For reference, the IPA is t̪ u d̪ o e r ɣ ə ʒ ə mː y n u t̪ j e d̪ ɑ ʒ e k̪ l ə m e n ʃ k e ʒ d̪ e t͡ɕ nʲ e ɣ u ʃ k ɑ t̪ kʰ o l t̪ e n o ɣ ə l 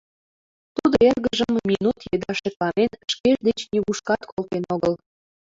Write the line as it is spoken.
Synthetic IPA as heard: t̪ u d̪ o e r ɣ ə ʒ ə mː i n u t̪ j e d̪ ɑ ʃ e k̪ l ɑ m e n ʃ k e ʒ d̪ e t͡ɕ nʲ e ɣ u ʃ k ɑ t̪ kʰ o l t̪ e n o ɣ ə l